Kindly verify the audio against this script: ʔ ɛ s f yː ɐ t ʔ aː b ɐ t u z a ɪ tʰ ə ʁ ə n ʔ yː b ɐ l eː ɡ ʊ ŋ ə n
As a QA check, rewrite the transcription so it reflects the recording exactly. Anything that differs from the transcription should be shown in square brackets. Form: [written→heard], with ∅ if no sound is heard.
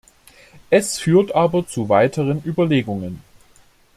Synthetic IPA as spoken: ʔ ɛ s f yː ɐ t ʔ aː b ɐ [t→t͡s] u [z→v] a ɪ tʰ ə ʁ ə n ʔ yː b ɐ l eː ɡ ʊ ŋ ə n